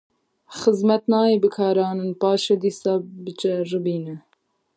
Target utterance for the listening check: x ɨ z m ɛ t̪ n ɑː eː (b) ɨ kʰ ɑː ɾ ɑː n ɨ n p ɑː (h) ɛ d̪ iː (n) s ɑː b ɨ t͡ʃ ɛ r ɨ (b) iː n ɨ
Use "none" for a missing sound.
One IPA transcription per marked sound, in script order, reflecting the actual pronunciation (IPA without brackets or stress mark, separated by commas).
b, ʃ, none, b